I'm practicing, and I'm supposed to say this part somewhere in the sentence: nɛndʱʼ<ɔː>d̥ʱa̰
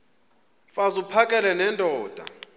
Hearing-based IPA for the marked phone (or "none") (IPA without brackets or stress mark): ɔː